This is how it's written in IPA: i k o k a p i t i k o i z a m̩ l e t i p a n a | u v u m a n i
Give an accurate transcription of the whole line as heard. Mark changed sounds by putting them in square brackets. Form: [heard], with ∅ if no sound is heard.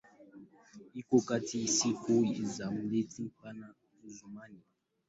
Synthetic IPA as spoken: i k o k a [t] i [s] i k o i z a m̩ l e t i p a n a | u [z] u m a n i